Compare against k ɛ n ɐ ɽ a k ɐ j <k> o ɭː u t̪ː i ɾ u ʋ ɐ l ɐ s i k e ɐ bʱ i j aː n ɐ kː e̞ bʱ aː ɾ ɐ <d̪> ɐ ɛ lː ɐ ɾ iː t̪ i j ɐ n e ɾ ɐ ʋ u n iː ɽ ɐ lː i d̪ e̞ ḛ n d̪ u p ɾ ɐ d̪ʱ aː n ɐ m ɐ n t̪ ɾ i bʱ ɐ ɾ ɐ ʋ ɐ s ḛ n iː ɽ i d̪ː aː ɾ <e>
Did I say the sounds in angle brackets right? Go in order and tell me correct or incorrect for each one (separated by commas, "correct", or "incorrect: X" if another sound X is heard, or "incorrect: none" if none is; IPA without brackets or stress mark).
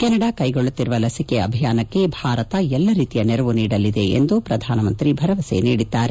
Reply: incorrect: ɡ, incorrect: t̪, correct